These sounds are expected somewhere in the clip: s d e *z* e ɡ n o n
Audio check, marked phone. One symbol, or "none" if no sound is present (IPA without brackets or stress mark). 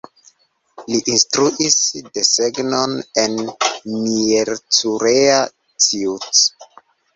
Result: s